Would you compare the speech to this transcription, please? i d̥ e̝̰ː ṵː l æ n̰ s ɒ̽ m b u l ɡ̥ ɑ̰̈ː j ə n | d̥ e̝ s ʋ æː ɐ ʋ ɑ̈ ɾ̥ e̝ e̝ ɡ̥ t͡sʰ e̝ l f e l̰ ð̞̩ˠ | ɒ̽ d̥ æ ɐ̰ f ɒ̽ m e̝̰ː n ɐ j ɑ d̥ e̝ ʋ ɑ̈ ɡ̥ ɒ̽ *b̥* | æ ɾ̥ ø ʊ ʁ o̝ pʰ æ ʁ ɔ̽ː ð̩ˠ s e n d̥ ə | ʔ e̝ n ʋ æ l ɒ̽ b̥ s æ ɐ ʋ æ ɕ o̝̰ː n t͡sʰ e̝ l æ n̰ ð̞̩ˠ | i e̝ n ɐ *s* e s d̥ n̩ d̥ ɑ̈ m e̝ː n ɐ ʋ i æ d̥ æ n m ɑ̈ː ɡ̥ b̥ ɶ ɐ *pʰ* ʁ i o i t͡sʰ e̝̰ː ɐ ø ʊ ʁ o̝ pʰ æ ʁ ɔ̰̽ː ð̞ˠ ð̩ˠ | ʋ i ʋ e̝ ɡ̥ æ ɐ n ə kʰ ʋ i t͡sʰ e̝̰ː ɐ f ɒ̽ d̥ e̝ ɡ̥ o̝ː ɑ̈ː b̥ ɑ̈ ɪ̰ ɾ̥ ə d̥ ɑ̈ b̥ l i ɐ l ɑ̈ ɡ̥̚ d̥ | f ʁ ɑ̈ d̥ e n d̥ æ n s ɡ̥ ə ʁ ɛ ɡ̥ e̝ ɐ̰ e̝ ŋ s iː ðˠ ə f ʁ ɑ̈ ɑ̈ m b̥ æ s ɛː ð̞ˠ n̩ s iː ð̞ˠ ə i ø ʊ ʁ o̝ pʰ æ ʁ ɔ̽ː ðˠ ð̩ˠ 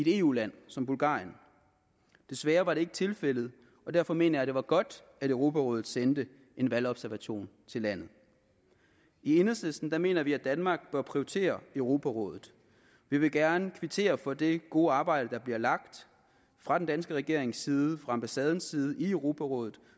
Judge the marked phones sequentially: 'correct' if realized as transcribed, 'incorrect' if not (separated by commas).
incorrect, correct, correct